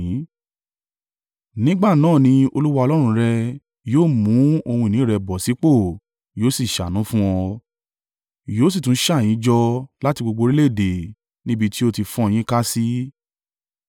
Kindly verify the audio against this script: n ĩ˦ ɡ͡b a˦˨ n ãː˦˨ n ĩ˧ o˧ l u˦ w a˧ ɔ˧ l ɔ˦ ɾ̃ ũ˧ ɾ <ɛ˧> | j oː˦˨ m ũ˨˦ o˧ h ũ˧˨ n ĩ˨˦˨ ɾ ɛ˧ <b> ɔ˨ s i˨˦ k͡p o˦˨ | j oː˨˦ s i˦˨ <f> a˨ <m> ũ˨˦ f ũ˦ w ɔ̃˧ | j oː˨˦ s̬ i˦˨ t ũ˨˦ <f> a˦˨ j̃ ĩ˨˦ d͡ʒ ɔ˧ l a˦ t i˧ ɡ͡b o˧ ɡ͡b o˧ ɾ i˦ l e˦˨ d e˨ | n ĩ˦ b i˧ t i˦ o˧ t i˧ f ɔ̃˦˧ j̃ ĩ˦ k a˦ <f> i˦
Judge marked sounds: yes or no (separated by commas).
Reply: yes, yes, no, no, no, no